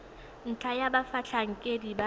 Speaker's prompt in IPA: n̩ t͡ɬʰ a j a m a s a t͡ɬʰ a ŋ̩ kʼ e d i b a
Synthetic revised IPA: n̩ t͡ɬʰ a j a b a f a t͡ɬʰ a ŋ̩ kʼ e d i b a